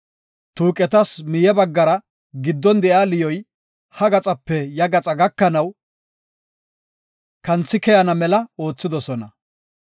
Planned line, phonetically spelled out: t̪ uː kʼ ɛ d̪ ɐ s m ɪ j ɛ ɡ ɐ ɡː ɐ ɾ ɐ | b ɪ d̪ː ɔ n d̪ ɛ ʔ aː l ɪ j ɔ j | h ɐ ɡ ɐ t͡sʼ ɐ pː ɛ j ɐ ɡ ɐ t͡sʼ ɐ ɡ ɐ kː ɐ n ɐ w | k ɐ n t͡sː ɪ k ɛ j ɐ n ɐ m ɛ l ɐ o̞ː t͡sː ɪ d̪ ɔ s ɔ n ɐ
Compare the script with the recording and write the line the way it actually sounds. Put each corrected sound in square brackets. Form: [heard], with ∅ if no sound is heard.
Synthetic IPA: t̪ uː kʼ ɛ [t̪] ɐ s m ɪ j ɛ [b] ɐ ɡː ɐ ɾ ɐ | [ɡ] ɪ d̪ː ɔ n d̪ ɛ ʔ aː l ɪ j ɔ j | h ɐ ɡ ɐ t͡sʼ ɐ pː ɛ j ɐ ɡ ɐ t͡sʼ ɐ ɡ ɐ kː ɐ n ɐ w | k ɐ n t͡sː ɪ k ɛ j ɐ n ɐ m ɛ l ɐ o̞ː t͡sː ɪ d̪ ɔ s ɔ n ɐ